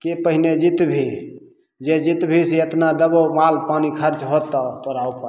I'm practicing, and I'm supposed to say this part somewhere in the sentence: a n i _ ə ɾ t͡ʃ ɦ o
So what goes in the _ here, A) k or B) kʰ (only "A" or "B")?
B